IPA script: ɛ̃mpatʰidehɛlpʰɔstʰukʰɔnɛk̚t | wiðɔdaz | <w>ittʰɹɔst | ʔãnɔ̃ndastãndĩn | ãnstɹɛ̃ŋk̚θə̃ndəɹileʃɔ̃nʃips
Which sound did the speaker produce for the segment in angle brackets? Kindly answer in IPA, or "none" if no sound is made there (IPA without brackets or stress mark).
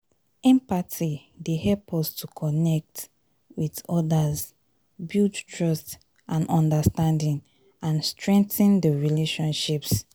b